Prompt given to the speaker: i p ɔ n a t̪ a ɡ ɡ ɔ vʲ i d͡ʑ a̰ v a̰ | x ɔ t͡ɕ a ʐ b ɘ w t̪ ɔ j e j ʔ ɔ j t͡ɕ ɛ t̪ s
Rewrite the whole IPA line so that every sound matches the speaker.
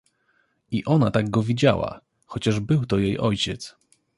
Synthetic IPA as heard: i ʔ ɔ n a t̪ a ɡ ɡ ɔ vʲ i d͡ʑ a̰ w a̰ | x ɔ t͡ɕ a ʐ b ɘ w t̪ ɔ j e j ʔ ɔ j t͡ɕ ɛ t̪ s

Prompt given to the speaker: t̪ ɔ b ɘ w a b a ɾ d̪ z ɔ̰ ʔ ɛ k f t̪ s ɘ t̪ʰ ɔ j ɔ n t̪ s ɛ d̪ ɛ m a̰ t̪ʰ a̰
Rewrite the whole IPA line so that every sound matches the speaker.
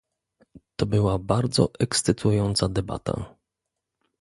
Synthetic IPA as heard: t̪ ɔ b ɘ w a b a ɾ d̪ z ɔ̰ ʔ ɛ k s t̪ s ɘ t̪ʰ u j ɔ n t̪ s a d̪ ɛ b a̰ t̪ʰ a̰

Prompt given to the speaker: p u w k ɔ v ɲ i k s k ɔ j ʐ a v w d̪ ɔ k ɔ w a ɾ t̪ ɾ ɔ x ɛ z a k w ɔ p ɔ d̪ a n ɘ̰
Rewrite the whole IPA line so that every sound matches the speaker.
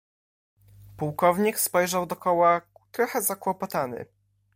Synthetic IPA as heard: p u w k ɔ v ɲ i k s p ɔ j ʐ a w d̪ ɔ k ɔ w a t̪ ɾ ɔ x ɛ z a k w ɔ p ɔ t̪ a n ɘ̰

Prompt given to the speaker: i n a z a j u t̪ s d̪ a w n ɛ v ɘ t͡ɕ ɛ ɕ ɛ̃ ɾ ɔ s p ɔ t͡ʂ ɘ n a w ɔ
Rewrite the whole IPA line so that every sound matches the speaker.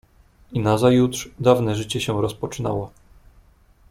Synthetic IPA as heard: i n a z a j u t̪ ʂ d̪ a v n ɛ ʐ ɘ t͡ɕ ɛ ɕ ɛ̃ ɾ ɔ s p ɔ t͡ʂ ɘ n a w ɔ

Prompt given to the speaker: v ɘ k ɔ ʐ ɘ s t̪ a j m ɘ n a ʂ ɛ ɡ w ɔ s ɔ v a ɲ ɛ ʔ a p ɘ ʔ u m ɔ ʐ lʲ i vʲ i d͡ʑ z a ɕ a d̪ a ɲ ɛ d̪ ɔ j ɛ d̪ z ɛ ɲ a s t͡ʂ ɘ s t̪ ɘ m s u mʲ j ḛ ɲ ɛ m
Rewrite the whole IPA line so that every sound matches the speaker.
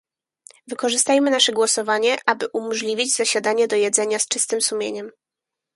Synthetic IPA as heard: v ɘ k ɔ ʐ ɘ s t̪ a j m ɘ n a ʂ ɛ ɡ w ɔ s ɔ v a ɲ ɛ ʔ a b ɘ ʔ u m ɔ ʐ lʲ i vʲ i d͡ʑ z a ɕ a d̪ a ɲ ɛ d̪ ɔ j ɛ d̪ z ɛ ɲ a s t͡ʂ ɘ s t̪ ɘ m s u mʲ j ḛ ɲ ɛ m

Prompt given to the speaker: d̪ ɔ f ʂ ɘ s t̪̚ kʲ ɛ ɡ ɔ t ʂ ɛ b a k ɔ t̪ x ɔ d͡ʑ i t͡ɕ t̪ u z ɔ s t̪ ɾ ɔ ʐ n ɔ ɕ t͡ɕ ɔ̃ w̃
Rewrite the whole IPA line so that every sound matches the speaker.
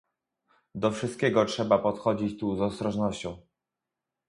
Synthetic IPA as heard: d̪ ɔ f ʂ ɘ s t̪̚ kʲ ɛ ɡ ɔ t ʂ ɛ b a p ɔ t̪ x ɔ d͡ʑ i t͡ɕ t̪ u z ɔ s t̪ ɾ ɔ ʐ n ɔ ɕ t͡ɕ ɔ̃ w̃

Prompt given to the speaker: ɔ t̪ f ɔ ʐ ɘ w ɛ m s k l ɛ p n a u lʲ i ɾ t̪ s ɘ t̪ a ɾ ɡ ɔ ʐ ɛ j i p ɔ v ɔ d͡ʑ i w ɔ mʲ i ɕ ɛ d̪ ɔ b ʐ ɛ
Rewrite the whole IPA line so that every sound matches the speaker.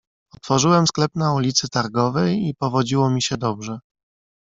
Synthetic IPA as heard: ɔ t̪ f ɔ ʐ ɘ w ɛ m s k l ɛ p n a u lʲ i t̪ s ɘ t̪ a ɾ ɡ ɔ v ɛ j i p ɔ v ɔ d͡ʑ i w ɔ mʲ i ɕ ɛ d̪ ɔ b ʐ ɛ

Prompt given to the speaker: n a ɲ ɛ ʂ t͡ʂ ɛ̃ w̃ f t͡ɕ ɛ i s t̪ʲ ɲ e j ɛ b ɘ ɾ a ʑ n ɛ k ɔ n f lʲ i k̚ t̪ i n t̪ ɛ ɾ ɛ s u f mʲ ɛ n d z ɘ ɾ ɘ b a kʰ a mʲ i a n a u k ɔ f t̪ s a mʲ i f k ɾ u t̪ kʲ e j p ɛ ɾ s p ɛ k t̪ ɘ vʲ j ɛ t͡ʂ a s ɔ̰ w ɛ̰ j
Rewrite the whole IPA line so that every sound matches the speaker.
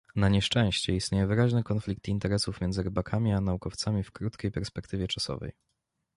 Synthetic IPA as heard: n a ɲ ɛ ʂ t͡ʂ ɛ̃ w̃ ɕ t͡ɕ ɛ i s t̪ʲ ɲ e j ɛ v ɘ ɾ a ʑ n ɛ k ɔ n f lʲ i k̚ t̪ i n t̪ ɛ ɾ ɛ s u f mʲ ɛ n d z ɘ ɾ ɘ b a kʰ a mʲ i a n a u k ɔ f t̪ s a mʲ i f k ɾ u t̪ kʲ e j p ɛ ɾ s p ɛ k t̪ ɘ vʲ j ɛ t͡ʂ a s ɔ̰ v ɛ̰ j

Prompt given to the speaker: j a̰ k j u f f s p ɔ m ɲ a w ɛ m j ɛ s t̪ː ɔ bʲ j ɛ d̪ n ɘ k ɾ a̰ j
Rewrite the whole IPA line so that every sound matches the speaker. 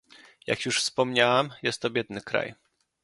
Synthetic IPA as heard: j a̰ k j u ʂ f s p ɔ m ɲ a w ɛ m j ɛ s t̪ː ɔ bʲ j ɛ d̪ n ɘ k ɾ a̰ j

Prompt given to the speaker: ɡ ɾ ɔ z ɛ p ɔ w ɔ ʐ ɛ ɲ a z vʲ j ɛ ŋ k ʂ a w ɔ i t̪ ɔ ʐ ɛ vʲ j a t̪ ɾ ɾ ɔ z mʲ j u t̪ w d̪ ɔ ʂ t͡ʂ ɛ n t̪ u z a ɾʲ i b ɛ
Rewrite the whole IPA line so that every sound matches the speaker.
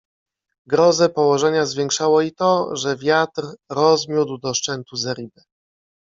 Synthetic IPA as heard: ɡ ɾ ɔ z ɛ p ɔ w ɔ ʐ ɛ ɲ a z vʲ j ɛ ŋ k ʂ a w ɔ i t̪ ɔ ʐ ɛ vʲ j a t̪ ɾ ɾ ɔ z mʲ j u d̪ w d̪ ɔ ʂ t͡ʂ ɛ n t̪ u z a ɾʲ i b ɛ

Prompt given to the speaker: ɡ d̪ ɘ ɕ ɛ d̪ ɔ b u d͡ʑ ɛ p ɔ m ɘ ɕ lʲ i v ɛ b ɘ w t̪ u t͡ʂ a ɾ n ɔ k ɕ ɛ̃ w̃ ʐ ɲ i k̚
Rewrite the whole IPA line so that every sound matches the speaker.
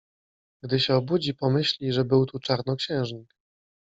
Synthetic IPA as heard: ɡ d̪ ɘ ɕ ɛ ɔ b u d͡ʑ i p ɔ m ɘ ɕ lʲ i ʐ ɛ b ɘ w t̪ u t͡ʂ a ɾ n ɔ k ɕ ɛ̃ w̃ ʐ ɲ i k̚

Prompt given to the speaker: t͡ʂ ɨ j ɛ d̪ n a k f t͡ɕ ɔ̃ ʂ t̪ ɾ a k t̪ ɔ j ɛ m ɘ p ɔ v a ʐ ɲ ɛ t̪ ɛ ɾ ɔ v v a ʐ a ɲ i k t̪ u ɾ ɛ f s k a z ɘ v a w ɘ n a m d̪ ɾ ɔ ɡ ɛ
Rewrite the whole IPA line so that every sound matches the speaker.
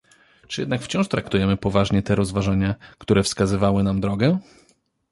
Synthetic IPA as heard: t͡ʂ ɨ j ɛ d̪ n a k f t͡ɕ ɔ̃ ʂ t̪ ɾ a k t̪ u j ɛ m ɘ p ɔ v a ʐ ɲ ɛ t̪ ɛ ɾ ɔ z v a ʐ a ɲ a k t̪ u ɾ ɛ f s k a z ɘ v a w ɘ n a m d̪ ɾ ɔ ɡ ɛ

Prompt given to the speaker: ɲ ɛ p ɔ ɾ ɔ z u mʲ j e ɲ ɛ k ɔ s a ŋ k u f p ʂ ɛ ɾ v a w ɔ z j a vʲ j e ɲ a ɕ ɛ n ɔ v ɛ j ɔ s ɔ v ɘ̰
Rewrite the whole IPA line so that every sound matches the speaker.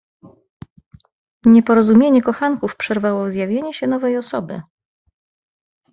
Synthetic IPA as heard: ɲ ɛ p ɔ ɾ ɔ z u mʲ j e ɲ ɛ k ɔ x a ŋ k u f p ʂ ɛ ɾ v a w ɔ z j a vʲ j e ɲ ɛ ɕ ɛ n ɔ v ɛ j ɔ s ɔ b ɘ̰

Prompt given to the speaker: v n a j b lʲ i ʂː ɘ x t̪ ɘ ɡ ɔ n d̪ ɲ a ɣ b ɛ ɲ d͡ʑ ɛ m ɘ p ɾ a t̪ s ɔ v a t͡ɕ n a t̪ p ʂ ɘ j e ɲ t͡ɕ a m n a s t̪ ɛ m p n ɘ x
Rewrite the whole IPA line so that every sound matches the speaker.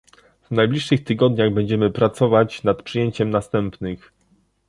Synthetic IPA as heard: v n a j b lʲ i ʂː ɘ x t̪ ɘ ɡ ɔ d̪ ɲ a ɣ b ɛ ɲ d͡ʑ ɛ m ɘ p ɾ a t̪ s ɔ v a t͡ɕ n a t̪ p ʂ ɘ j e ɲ t͡ɕ ɛ m n a s t̪ ɛ m p n ɘ x

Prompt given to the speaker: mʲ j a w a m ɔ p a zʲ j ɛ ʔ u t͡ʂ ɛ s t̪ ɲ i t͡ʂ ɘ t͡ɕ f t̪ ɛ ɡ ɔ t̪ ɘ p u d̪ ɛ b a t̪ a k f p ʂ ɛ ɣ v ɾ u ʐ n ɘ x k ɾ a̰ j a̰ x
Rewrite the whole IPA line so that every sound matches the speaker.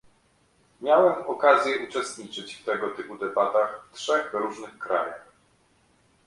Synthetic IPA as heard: mʲ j a w ɛ m ɔ k a zʲ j ɛ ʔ u t͡ʂ ɛ s t̪ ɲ i t͡ʂ ɘ t͡ɕ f t̪ ɛ ɡ ɔ t̪ ɘ p u d̪ ɛ b a t̪ a x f t ʂ ɛ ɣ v ɾ u ʐ n ɘ x k ɾ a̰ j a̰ x

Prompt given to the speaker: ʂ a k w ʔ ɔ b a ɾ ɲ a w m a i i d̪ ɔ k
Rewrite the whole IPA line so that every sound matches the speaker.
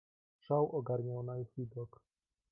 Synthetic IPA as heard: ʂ a w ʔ ɔ ɡ a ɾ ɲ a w n a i i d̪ ɔ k

